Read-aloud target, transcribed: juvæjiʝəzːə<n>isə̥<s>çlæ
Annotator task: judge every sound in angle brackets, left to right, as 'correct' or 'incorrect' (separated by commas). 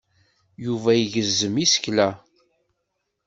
incorrect, incorrect